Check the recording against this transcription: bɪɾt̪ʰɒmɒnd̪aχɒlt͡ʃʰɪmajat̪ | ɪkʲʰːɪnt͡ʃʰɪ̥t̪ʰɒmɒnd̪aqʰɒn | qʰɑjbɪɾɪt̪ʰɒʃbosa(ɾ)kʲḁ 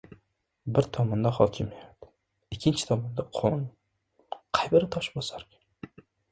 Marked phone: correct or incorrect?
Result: correct